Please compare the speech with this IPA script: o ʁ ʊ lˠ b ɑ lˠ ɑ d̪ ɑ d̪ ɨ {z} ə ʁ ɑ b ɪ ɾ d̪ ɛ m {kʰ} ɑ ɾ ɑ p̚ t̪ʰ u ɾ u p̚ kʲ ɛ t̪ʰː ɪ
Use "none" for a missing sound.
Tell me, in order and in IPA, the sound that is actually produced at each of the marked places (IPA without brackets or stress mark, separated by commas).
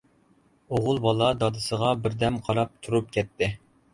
s, qʰ